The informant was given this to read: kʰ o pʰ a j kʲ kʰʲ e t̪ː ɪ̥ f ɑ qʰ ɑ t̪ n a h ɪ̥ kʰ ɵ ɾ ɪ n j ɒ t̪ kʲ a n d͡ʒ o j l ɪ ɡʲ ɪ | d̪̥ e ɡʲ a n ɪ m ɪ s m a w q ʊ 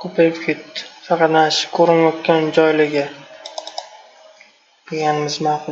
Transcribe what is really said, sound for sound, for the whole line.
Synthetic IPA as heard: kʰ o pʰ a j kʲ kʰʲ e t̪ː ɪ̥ f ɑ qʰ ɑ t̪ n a ʃ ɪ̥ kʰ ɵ ɾ ɪ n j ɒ t̪ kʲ a n d͡ʒ ɒ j l ɪ ɡʲ ɪ | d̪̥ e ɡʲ a n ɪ m ɪ z m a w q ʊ